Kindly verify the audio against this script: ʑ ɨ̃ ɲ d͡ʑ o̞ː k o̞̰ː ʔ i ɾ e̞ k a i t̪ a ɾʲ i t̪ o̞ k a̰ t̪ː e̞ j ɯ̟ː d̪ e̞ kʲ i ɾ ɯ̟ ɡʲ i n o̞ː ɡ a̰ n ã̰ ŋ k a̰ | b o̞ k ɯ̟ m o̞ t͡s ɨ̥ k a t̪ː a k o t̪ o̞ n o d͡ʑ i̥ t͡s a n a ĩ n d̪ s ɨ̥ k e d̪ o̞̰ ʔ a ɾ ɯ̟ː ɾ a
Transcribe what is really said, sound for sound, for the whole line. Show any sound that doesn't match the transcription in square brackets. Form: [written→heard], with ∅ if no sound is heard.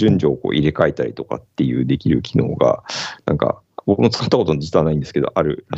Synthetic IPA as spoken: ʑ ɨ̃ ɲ d͡ʑ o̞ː k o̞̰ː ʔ i ɾ e̞ k a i t̪ a ɾʲ i t̪ o̞ k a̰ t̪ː e̞ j ɯ̟ː d̪ e̞ kʲ i ɾ ɯ̟ [ɡʲ→kʲ] i n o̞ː ɡ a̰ n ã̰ ŋ k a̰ | b o̞ k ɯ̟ m o̞ t͡s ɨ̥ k a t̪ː a k o t̪ o̞ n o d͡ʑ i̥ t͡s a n a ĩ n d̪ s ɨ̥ k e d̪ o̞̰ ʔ a ɾ [ɯ̟ː→ɯ̟] ɾ a